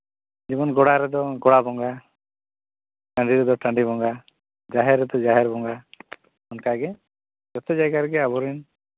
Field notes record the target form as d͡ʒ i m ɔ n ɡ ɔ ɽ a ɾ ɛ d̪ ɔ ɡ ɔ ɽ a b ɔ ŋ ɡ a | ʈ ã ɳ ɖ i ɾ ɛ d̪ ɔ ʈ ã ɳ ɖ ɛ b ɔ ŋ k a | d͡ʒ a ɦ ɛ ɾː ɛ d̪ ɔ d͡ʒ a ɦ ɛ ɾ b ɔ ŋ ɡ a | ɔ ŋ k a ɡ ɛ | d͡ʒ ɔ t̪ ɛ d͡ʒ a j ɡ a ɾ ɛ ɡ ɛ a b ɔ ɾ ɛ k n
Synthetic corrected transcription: d͡ʒ i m ɔ n ɡ ɔ ɽ a ɾ ɛ d̪ ɔ ɡ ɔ ɽ a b ɔ ŋ ɡ a | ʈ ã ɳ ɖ i ɾ ɛ d̪ ɔ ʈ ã ɳ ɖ i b ɔ ŋ ɡ a | d͡ʒ a ɦ ɛ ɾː ɛ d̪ ɔ d͡ʒ a ɦ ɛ ɾ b ɔ ŋ ɡ a | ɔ n k a ɡ ɛ | d͡ʒ ɔ t̪ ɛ d͡ʒ a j ɡ a ɾ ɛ ɡ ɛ a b ɔ ɾ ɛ n